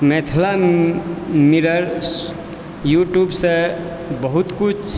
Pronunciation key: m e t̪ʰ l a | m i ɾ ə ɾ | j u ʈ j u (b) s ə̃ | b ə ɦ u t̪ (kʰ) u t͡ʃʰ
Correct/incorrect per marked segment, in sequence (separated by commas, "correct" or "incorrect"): correct, incorrect